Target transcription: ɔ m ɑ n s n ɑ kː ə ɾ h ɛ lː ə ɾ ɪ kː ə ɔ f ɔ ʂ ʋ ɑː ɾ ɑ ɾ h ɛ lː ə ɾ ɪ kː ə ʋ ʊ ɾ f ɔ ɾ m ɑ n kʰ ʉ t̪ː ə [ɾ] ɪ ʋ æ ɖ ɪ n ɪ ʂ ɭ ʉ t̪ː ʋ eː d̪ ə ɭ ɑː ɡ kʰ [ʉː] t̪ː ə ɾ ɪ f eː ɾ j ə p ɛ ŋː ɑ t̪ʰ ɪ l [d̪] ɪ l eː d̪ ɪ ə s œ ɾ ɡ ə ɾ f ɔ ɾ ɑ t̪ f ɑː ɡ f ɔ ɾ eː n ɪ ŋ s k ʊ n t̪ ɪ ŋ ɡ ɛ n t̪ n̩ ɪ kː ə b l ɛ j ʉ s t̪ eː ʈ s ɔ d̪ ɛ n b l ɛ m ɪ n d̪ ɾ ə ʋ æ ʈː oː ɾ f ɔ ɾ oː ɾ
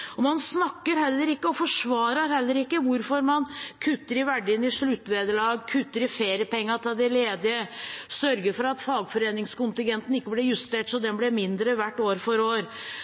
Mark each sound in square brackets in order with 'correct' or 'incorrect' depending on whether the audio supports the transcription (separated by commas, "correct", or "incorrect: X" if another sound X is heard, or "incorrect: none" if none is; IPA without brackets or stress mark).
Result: correct, incorrect: ʉ, correct